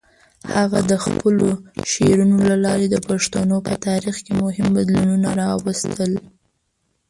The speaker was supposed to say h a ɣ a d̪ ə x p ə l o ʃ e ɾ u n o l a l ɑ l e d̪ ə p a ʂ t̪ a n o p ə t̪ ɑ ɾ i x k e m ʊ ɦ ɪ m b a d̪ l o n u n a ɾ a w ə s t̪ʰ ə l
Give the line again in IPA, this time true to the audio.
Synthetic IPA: h a ɣ a d̪ ə x p ə l o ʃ e ɾ u n o l a l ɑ ɾ e d̪ ə p a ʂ t̪ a n o p ə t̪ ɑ ɾ i x k e m ʊ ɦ ɪ m b a d̪ l u n u n a ɾ ɑ w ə s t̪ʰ ə l